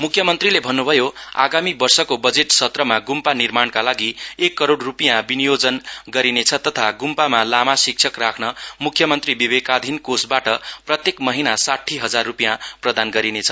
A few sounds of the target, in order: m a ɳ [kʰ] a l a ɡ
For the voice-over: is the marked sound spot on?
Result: no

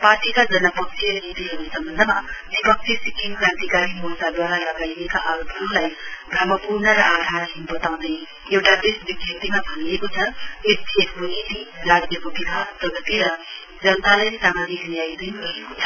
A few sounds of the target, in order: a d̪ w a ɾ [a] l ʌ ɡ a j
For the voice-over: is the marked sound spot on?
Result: yes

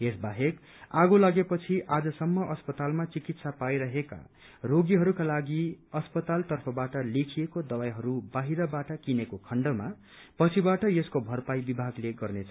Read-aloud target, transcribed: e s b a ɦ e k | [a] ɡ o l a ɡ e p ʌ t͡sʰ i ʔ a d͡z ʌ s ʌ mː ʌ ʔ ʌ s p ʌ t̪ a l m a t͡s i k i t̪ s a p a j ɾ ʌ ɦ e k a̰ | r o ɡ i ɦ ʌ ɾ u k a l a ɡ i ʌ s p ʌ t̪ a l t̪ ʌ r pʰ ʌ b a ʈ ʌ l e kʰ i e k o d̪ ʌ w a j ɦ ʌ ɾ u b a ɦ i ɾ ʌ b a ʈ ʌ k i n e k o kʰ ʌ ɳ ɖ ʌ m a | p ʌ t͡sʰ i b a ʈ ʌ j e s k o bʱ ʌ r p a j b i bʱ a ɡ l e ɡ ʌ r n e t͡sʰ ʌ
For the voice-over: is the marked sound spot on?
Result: yes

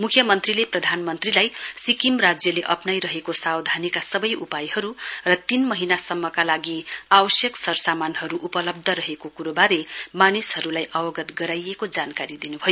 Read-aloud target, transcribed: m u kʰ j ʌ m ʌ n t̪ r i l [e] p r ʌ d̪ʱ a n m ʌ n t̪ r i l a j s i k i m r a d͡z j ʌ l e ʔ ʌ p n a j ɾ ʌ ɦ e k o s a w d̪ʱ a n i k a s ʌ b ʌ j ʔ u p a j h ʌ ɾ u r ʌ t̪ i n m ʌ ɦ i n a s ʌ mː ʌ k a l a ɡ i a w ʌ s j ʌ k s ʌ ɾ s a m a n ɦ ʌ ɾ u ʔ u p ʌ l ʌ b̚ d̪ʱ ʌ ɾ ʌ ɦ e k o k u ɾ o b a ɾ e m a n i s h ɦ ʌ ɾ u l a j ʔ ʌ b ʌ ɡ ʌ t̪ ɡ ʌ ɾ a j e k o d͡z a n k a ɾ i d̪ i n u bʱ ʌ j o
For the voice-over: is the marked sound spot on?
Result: yes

